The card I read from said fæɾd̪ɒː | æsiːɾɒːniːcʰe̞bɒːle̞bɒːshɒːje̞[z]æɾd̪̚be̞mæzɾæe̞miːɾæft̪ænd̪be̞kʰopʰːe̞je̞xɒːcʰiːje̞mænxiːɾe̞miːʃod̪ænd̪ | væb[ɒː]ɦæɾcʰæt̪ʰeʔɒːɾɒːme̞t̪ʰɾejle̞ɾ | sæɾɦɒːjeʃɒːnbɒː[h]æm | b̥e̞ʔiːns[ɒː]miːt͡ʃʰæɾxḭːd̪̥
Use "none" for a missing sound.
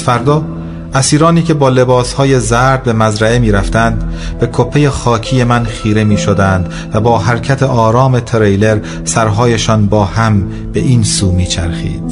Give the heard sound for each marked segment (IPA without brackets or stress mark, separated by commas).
z, ɒː, h, uː